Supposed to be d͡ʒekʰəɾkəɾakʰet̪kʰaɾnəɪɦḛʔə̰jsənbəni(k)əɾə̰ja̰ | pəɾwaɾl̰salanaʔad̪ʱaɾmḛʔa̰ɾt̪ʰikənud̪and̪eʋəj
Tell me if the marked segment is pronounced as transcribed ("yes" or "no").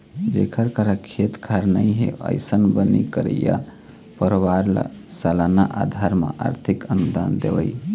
yes